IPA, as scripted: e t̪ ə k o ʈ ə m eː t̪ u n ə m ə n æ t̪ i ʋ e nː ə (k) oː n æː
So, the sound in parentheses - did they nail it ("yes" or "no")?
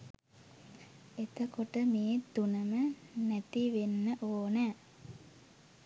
no